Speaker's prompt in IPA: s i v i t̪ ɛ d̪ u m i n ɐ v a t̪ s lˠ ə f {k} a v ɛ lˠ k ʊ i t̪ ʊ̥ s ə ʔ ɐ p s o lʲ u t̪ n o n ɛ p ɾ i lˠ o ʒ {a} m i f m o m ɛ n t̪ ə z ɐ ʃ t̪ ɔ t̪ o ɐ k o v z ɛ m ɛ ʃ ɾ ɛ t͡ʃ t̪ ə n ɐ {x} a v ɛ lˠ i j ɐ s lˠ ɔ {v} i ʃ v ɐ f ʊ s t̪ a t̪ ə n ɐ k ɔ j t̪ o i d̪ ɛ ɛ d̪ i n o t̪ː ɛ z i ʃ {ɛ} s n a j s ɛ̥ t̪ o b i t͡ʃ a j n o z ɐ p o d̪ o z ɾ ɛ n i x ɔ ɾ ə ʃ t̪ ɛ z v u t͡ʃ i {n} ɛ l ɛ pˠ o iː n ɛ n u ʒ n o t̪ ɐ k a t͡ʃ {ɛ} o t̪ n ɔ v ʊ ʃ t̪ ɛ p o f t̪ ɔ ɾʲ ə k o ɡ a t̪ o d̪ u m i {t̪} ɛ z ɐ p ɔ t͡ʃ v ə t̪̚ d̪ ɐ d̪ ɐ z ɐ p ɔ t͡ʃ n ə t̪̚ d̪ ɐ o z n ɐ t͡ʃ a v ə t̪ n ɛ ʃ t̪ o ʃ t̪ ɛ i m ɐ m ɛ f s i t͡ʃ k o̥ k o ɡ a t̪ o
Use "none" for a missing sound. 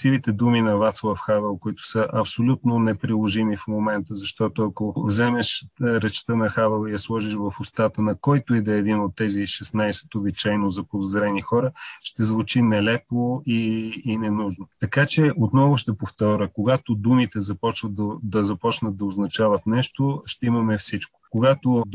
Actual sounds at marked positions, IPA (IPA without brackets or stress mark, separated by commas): x, i, x, ʒ, ɛ, n, ɛ, t̪